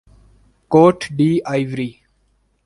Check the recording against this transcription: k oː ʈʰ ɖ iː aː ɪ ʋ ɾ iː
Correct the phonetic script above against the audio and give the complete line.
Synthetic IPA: k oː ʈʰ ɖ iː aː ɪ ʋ ɾ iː

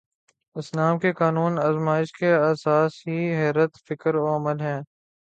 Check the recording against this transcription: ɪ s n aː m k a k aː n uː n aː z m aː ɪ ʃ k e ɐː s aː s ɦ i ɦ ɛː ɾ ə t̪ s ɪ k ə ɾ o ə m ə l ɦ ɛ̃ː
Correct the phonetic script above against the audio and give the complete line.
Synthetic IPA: ɪ s n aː m k e k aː n uː n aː z m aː ɪ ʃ k e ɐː s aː s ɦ i ɦ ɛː ɾ ə t̪ f ɪ k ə ɾ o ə m ə l ɦ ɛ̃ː

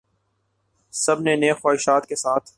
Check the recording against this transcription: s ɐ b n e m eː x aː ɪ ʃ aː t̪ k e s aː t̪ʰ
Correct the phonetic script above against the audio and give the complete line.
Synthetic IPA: s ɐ b n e n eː x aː ɪ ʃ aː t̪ k e s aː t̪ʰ

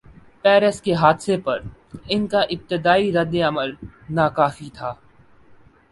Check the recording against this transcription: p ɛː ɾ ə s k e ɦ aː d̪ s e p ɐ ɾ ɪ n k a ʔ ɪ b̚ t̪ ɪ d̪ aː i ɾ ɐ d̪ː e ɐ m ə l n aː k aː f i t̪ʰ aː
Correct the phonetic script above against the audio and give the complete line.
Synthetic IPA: p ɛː ɾ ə s k e ɦ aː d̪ s e p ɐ ɾ ɪ n k a ʔ ɪ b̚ t̪ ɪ d̪ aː i ɾ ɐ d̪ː e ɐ m ə l n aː k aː f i t̪ʰ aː

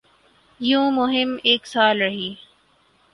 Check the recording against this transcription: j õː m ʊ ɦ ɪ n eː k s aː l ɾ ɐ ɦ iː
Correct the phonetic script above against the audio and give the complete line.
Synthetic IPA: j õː m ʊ ɦ ɪ m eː k s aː l ɾ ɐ ɦ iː

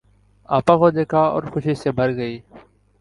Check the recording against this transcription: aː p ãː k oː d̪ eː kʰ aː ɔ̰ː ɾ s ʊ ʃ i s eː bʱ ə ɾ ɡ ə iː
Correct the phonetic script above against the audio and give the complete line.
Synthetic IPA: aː p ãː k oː d̪ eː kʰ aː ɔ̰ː ɾ x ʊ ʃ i s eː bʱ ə ɾ ɡ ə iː

